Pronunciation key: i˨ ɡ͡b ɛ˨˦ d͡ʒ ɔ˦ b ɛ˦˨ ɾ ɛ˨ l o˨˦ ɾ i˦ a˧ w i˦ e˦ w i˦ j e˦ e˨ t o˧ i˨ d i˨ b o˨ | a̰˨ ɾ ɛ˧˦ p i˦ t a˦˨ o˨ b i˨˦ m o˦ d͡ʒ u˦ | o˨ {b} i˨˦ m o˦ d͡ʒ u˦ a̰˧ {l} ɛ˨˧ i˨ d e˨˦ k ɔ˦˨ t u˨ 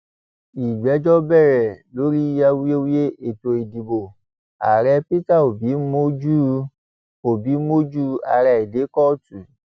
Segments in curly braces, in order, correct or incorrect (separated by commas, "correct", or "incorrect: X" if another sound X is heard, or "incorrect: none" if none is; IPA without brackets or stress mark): correct, incorrect: ɾ